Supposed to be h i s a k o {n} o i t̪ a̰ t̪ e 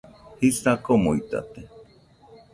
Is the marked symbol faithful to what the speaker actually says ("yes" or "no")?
no